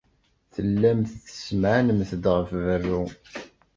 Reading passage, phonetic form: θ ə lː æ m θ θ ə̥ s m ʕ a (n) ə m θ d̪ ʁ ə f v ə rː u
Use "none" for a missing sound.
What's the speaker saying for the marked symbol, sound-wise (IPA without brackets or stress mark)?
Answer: n